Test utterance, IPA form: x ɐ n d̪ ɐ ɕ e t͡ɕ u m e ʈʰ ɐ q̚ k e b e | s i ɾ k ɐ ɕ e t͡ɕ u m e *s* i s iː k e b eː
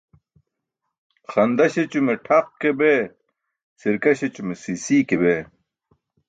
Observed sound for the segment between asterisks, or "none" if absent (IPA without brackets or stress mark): s